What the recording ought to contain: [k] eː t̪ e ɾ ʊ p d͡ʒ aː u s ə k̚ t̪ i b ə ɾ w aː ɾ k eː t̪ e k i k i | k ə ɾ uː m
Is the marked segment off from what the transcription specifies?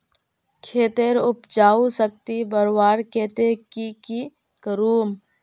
yes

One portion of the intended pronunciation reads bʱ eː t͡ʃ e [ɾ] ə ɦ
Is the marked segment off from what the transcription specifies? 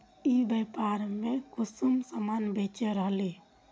no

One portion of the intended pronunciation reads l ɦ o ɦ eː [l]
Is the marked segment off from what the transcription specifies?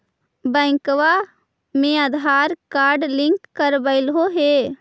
yes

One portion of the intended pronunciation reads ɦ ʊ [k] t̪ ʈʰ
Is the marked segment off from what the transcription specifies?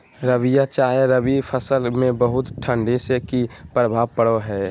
yes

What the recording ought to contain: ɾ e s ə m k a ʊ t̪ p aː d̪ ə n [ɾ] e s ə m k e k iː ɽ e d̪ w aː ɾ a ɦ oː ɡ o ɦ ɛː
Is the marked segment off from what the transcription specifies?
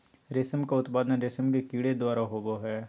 no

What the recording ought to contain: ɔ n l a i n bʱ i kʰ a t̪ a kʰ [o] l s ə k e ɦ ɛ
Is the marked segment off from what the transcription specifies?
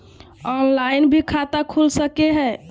yes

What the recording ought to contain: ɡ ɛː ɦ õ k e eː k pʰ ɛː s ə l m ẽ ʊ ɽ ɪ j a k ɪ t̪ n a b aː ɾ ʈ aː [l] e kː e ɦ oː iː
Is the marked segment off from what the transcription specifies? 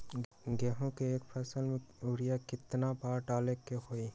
no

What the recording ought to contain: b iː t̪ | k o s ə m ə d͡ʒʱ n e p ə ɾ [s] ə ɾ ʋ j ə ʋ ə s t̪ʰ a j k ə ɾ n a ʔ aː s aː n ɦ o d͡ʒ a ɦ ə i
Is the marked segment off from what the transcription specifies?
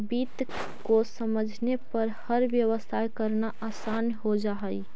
yes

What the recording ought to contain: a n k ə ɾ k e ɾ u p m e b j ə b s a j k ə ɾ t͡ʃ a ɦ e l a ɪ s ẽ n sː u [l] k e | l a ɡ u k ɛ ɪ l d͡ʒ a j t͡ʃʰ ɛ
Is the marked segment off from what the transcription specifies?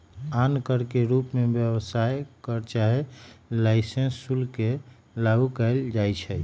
no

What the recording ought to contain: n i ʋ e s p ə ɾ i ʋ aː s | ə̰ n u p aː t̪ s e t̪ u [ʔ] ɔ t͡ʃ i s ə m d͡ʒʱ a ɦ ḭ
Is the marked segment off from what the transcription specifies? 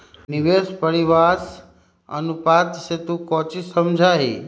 yes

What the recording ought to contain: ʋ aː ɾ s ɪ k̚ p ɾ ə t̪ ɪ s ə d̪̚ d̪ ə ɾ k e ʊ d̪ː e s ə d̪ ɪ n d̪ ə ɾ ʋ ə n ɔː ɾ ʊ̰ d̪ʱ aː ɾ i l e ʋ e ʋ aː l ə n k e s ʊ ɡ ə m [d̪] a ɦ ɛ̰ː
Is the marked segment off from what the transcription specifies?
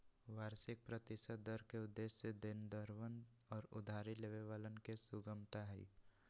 yes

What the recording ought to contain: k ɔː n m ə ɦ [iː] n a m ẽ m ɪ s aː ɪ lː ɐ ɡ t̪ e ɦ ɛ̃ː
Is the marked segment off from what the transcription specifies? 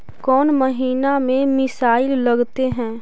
no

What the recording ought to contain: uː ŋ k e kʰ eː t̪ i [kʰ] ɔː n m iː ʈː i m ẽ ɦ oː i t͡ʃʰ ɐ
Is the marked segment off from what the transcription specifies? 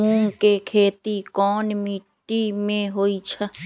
yes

